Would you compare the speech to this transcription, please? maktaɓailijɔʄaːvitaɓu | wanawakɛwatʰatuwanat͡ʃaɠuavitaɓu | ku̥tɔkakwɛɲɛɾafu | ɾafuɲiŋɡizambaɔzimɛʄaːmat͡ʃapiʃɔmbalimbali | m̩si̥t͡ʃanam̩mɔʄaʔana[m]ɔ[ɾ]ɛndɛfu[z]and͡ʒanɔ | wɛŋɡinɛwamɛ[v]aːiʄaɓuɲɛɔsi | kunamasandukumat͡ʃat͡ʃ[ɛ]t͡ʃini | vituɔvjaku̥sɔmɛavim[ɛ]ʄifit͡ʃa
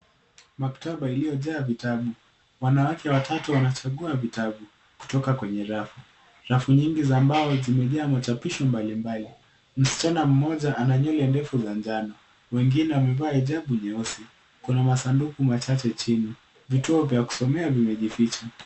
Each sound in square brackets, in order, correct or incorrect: incorrect: ɲ, incorrect: l, correct, correct, correct, correct

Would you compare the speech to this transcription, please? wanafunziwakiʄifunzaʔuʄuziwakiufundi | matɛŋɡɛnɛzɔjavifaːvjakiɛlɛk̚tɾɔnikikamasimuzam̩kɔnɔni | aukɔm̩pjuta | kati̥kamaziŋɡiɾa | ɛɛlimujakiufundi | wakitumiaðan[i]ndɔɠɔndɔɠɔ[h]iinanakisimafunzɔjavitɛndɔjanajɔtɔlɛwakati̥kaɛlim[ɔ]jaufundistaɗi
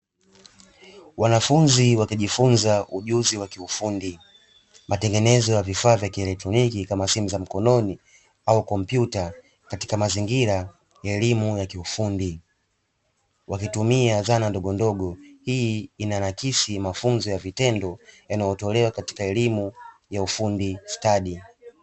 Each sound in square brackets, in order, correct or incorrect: incorrect: a, correct, incorrect: u

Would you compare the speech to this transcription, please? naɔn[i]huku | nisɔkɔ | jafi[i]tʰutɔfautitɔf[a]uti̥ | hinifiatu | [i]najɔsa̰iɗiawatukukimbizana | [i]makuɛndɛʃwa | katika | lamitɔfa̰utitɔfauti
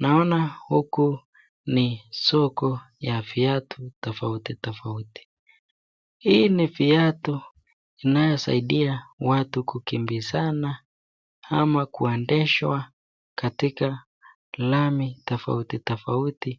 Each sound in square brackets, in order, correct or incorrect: incorrect: a, incorrect: a, correct, correct, incorrect: a

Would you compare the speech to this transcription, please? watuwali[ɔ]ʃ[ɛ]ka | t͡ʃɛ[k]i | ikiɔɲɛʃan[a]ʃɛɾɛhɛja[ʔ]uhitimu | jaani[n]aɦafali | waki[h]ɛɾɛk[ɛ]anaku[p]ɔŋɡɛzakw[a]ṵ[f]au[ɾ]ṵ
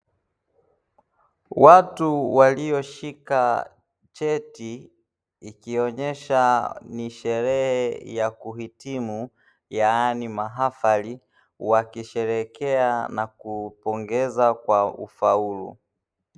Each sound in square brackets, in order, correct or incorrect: correct, incorrect: i, incorrect: t, incorrect: i, incorrect: k, incorrect: m, incorrect: ʃ, correct, correct, correct, correct, incorrect: l

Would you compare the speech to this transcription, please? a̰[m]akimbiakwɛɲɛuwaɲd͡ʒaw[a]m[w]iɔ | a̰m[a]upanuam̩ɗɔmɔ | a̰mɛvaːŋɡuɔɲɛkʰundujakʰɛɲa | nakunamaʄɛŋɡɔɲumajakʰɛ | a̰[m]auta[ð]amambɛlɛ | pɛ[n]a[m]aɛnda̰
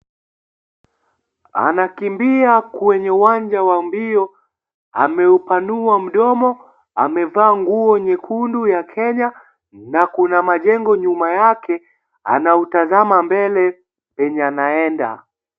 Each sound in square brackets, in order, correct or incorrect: incorrect: n, correct, incorrect: b, incorrect: ɛ, incorrect: n, incorrect: z, incorrect: ɲ, incorrect: n

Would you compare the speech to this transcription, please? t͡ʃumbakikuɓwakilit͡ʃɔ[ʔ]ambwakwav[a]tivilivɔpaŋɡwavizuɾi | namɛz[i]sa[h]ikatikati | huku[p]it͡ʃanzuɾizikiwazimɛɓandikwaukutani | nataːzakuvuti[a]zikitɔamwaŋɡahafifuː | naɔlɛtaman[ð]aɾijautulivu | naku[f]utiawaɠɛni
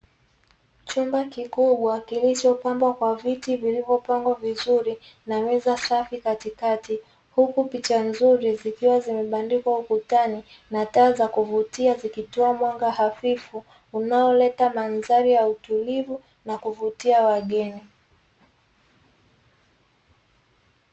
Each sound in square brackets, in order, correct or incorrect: incorrect: p, incorrect: i, incorrect: a, incorrect: f, correct, correct, incorrect: z, incorrect: v

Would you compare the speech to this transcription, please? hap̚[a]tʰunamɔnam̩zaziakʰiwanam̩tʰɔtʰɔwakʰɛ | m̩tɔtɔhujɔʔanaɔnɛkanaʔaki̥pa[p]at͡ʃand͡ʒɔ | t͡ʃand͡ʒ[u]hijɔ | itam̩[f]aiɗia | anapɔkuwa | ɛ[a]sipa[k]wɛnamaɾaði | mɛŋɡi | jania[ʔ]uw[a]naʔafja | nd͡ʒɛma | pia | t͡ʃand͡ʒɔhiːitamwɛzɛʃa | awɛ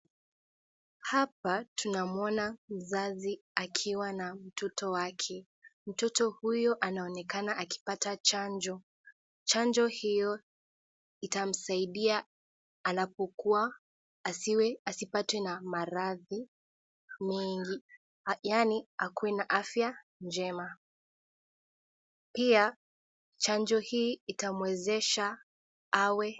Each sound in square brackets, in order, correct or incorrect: correct, incorrect: t, incorrect: ɔ, incorrect: s, correct, incorrect: t, incorrect: k, incorrect: ɛ

